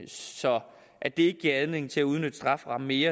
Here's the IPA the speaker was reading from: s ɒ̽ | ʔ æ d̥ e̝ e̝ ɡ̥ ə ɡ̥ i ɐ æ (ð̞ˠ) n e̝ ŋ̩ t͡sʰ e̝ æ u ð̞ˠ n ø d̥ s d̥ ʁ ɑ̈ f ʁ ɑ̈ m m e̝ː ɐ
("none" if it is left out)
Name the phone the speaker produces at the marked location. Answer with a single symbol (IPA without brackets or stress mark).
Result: ð̞ˠ